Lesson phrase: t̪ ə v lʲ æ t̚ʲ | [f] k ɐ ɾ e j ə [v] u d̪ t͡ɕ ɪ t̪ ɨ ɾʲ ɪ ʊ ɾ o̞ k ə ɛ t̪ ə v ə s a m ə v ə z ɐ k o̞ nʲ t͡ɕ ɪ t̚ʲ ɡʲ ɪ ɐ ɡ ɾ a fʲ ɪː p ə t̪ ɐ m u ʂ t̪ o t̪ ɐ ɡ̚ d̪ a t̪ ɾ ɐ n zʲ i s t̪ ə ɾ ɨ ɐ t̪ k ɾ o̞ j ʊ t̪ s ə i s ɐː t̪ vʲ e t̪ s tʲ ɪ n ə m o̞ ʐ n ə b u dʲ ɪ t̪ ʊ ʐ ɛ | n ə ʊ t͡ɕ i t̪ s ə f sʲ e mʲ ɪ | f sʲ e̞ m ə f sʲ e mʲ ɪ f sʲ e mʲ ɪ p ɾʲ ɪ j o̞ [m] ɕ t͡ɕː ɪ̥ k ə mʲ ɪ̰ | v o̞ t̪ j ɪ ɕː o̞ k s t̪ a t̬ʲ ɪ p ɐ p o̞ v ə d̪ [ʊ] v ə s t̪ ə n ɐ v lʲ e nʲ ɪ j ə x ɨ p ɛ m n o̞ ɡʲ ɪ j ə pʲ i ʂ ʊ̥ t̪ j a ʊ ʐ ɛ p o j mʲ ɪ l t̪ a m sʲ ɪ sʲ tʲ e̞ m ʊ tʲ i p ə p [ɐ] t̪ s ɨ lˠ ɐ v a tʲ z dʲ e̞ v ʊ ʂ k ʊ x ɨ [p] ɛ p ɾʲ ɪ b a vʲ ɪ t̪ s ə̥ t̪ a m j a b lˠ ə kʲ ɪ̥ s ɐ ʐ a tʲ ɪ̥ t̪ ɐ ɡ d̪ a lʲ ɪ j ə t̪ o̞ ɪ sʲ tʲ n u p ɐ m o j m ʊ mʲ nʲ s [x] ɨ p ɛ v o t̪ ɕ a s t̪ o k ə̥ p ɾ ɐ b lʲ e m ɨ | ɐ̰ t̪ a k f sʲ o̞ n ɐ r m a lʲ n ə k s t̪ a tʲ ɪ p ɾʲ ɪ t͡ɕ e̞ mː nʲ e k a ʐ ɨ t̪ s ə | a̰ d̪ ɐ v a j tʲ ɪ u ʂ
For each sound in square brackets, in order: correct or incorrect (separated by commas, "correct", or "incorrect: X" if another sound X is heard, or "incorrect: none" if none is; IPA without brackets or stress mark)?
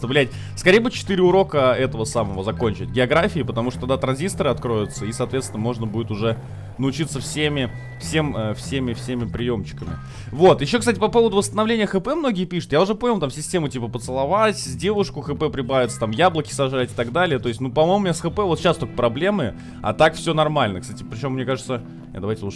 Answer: incorrect: s, incorrect: b, correct, correct, incorrect: ə, correct, correct